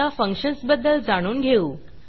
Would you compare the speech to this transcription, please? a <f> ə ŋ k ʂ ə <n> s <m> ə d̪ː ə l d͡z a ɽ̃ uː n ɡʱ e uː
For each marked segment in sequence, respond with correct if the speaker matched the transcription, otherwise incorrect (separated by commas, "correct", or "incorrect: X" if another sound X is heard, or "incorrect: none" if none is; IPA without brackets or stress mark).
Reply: correct, correct, incorrect: b